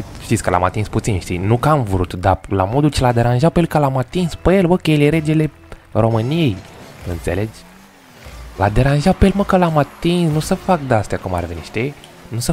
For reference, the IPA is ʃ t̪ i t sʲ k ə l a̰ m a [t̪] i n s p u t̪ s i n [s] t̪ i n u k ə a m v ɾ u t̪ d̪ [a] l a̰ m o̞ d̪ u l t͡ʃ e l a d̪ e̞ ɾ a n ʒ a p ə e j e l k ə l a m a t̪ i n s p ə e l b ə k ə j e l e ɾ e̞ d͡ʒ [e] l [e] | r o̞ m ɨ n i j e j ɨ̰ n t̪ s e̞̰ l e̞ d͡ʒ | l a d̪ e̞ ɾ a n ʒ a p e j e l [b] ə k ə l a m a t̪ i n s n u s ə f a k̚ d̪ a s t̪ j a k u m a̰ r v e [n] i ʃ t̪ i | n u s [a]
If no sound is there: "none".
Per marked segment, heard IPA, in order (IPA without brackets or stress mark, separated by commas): t̪, ʃ, a, e, e, m, n, ə